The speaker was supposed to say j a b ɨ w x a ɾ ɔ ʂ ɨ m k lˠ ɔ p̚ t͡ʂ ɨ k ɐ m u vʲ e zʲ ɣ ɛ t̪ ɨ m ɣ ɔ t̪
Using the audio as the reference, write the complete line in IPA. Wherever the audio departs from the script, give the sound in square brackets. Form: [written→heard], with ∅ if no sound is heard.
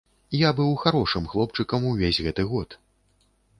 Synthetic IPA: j a b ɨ w x a ɾ ɔ ʂ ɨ m [k→x] lˠ ɔ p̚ t͡ʂ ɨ k ɐ m u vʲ e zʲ ɣ ɛ t̪ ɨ [m→∅] ɣ ɔ t̪